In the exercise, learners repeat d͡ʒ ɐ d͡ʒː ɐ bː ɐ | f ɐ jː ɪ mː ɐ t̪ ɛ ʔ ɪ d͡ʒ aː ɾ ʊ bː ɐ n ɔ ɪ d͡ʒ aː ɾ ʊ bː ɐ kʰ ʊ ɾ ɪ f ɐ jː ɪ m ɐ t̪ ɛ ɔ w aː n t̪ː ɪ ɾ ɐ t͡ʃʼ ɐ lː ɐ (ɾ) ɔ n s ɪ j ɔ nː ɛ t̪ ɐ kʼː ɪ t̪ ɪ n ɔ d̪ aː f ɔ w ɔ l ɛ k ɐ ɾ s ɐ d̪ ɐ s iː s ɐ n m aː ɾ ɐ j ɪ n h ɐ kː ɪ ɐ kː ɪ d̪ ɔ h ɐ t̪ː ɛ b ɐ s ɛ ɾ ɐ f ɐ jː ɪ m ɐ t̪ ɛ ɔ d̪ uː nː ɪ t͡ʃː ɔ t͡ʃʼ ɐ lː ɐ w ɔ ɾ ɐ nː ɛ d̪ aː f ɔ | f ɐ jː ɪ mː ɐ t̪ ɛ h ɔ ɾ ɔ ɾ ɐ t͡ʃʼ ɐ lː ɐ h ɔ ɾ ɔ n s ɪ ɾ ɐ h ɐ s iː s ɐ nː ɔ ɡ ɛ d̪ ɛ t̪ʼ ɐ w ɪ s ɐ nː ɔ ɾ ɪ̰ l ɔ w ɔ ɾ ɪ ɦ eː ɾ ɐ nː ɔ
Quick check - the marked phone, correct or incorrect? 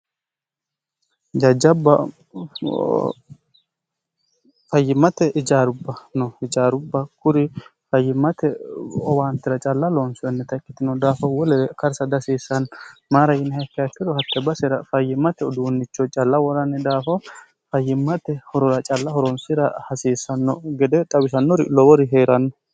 incorrect